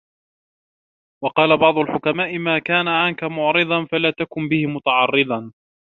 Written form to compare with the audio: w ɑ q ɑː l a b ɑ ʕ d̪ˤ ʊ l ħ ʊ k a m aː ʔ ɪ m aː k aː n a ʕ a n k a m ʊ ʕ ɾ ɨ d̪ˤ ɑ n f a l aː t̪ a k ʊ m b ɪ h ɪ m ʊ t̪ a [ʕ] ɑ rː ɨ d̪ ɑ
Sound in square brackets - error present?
no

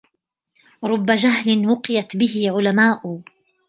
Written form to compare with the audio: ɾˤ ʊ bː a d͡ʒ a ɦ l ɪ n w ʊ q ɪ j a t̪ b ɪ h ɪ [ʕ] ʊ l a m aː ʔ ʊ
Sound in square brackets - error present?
no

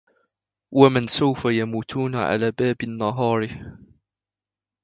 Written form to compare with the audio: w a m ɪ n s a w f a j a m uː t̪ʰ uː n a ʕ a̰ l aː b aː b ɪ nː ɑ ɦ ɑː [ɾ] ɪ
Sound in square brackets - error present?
no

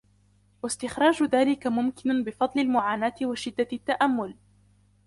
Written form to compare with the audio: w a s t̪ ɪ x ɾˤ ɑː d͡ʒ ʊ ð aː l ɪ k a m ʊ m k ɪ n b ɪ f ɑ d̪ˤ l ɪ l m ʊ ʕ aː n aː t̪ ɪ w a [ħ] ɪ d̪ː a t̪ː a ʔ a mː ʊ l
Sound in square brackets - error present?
yes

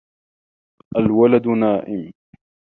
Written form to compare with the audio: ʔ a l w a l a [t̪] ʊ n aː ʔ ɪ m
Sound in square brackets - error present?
yes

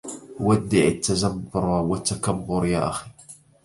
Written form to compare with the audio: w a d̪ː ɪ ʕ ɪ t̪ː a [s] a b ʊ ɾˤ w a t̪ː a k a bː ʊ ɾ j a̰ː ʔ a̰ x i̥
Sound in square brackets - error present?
yes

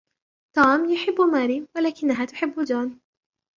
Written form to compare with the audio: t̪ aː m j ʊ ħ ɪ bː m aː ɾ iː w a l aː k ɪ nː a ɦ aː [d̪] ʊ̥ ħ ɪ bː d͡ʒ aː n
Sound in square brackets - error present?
yes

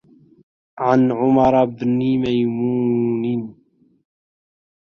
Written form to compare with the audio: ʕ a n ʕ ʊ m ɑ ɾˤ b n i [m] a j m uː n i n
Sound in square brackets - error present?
no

